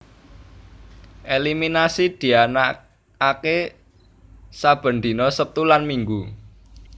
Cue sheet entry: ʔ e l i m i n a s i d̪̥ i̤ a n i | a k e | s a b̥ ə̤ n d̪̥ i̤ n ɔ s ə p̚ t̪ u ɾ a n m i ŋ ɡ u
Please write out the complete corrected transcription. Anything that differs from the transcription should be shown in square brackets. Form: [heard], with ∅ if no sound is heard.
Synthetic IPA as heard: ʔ e l i m i n a s i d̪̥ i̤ a n [a] | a k e | s a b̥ ə̤ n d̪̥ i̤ n ɔ s ə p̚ t̪ u [l] a n m i ŋ ɡ u